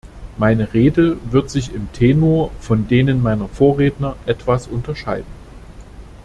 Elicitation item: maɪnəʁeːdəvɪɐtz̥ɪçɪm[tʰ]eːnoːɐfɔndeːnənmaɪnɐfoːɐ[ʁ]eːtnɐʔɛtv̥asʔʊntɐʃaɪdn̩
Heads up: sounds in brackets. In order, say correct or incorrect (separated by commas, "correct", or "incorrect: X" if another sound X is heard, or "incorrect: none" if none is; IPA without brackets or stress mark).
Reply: correct, correct